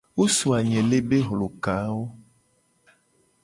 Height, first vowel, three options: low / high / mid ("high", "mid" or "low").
mid